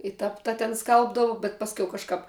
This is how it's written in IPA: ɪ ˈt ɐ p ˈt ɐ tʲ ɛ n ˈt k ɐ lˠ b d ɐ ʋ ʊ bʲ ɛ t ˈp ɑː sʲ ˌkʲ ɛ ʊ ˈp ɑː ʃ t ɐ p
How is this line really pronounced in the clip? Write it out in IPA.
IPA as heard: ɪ ˈt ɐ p ˈt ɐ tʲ ɛ n ˈs k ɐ lˠ b d ɐ ʋ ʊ bʲ ɛ t ˈp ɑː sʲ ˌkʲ ɛ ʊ ˈk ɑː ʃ k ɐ p